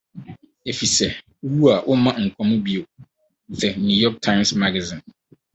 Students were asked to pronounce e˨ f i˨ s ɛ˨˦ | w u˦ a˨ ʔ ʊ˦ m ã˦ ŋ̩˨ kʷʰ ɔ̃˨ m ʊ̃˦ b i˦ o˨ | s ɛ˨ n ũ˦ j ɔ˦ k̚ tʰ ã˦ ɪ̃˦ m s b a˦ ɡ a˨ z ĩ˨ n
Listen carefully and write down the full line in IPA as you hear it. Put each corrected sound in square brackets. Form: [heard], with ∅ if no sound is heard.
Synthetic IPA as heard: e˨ f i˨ s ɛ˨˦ | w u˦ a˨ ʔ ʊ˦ m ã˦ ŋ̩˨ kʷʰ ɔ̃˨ m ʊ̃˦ b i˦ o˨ | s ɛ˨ n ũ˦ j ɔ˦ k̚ tʰ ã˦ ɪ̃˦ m s [m] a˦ ɡ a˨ z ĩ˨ n